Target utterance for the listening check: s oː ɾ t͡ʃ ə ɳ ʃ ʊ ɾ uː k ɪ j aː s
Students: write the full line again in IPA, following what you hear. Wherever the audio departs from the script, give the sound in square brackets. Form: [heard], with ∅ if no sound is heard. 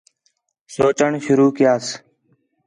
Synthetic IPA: s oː [∅] t͡ʃ ə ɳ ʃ ʊ ɾ uː k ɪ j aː s